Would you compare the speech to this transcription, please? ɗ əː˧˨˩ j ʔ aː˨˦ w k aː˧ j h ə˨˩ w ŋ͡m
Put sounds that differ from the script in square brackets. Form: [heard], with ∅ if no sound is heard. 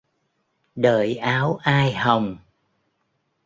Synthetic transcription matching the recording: ɗ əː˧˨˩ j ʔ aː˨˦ w [ʔ] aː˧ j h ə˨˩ w ŋ͡m